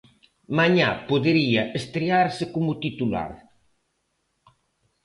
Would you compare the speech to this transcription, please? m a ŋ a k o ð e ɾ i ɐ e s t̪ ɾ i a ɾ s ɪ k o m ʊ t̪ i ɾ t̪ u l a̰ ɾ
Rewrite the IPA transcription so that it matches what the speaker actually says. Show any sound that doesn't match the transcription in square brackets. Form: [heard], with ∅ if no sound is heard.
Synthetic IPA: m a [ɲ] a [p] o ð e ɾ i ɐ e s t̪ ɾ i a ɾ s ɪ k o m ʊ t̪ i [∅] t̪ u l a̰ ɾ